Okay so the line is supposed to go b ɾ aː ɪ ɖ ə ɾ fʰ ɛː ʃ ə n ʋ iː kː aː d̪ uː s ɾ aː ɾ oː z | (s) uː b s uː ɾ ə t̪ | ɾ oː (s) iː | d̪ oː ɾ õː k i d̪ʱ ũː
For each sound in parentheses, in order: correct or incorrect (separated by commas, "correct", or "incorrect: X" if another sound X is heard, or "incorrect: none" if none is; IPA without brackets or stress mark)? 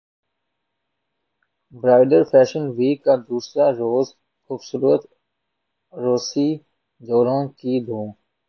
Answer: incorrect: x, correct